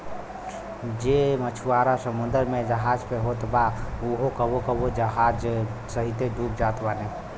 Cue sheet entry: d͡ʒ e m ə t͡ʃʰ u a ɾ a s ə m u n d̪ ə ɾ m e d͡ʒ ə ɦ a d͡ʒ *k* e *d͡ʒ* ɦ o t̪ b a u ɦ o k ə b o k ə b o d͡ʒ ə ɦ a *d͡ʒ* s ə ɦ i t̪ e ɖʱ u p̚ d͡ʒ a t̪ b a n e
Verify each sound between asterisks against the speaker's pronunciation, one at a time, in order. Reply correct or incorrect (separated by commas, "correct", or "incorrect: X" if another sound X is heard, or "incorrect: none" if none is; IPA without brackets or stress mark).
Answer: incorrect: p, incorrect: none, correct